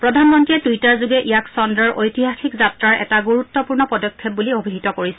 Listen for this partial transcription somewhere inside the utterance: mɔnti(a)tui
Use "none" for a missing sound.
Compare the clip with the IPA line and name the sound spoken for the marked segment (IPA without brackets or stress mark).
ɛ